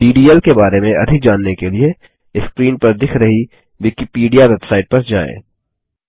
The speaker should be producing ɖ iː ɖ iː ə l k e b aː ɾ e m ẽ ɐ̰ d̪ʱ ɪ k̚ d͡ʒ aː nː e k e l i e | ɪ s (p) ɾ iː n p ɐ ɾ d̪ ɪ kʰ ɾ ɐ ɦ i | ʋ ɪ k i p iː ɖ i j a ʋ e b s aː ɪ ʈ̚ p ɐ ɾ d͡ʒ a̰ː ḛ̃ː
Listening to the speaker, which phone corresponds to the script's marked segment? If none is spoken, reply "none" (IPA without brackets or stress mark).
k